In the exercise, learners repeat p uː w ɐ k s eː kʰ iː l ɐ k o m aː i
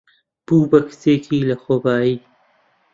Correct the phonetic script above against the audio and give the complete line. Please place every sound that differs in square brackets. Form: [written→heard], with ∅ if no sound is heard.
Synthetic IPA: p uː [w→b] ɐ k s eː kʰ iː l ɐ [k→x] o [m→b] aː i